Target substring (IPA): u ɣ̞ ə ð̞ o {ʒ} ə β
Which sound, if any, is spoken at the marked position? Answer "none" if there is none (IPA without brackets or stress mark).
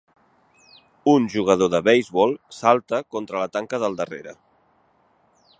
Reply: ð